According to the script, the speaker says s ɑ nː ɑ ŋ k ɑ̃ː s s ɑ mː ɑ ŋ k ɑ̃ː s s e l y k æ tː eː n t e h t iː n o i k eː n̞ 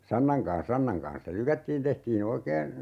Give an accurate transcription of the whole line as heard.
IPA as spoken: s ɑ nː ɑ ŋ k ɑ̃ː s s ɑ nː ɑ ŋ k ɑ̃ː s s e l y k æ tː iː n t e h t iː n o i k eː n̞